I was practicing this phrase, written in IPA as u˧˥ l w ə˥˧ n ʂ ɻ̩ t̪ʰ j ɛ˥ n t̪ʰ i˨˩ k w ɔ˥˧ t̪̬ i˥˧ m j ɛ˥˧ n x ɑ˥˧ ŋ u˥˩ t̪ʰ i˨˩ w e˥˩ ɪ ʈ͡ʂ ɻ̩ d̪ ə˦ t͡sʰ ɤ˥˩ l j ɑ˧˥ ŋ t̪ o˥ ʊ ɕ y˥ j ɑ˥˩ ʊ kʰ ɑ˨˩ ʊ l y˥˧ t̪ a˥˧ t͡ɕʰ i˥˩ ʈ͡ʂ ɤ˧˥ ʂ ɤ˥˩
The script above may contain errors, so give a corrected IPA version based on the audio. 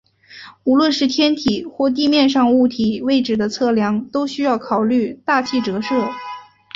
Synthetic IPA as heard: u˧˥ l w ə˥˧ n ʂ ɻ̩ t̪ʰ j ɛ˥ n t̪ʰ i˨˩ x w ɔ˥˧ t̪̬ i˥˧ m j ɛ˥˧ n ʂ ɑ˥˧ ŋ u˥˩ t̪ʰ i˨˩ w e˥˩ ɪ ʈ͡ʂ ɻ̩ d̪ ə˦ t͡sʰ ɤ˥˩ l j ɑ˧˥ ŋ t̪ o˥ ʊ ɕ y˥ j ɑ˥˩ ʊ kʰ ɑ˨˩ ʊ l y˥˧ t̪ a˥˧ t͡ɕʰ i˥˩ ʈ͡ʂ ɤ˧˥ ʂ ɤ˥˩